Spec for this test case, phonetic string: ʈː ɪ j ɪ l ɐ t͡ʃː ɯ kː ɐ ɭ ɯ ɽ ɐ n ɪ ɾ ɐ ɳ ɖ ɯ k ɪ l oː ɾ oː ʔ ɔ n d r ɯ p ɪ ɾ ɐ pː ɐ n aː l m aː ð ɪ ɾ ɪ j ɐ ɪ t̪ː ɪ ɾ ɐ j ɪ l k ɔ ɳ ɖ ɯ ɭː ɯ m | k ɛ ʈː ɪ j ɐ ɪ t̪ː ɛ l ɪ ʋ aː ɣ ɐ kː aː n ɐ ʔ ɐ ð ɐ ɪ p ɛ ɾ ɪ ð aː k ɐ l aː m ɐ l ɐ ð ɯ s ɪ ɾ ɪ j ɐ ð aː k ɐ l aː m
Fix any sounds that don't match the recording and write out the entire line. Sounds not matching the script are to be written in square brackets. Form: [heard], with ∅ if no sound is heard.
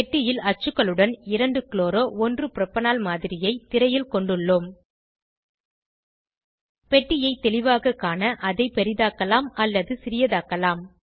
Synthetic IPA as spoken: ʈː ɪ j ɪ l ɐ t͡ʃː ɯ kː ɐ ɭ ɯ ɽ ɐ n ɪ ɾ ɐ ɳ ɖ ɯ k ɪ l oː ɾ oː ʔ ɔ n d r ɯ p ɪ ɾ ɐ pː ɐ n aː l m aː ð ɪ ɾ ɪ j ɐ ɪ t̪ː ɪ ɾ ɐ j ɪ l k ɔ ɳ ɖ ɯ ɭː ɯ m | [p] ɛ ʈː ɪ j ɐ ɪ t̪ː ɛ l ɪ ʋ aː ɣ ɐ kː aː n ɐ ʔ ɐ ð ɐ ɪ p ɛ ɾ ɪ ð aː k ɐ l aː m ɐ [lː] ɐ ð ɯ s ɪ ɾ ɪ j ɐ ð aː k ɐ l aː m